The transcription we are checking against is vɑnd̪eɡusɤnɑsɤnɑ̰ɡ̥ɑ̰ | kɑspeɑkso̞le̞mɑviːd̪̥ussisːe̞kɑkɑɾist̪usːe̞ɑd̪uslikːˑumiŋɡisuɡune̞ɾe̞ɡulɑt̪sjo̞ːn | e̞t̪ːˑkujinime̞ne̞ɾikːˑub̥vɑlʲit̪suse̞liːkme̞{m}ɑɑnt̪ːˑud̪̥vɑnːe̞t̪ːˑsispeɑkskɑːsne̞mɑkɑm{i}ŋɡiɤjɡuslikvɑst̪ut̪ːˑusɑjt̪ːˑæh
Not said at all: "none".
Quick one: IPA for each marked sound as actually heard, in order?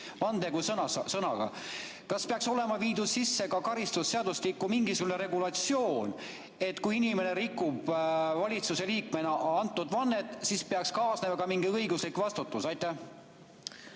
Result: n, i

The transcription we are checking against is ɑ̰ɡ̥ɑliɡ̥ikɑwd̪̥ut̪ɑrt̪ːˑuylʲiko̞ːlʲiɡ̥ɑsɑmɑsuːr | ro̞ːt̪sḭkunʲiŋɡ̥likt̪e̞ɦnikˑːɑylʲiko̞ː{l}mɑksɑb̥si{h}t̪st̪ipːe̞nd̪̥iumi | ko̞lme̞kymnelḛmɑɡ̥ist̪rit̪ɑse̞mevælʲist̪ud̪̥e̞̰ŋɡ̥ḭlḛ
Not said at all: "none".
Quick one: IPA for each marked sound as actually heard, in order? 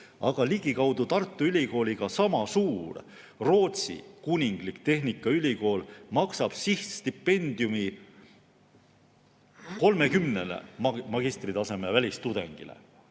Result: l, h

